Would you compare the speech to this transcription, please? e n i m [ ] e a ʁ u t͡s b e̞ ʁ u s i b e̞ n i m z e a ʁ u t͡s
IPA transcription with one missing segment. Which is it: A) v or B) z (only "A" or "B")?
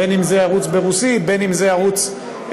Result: B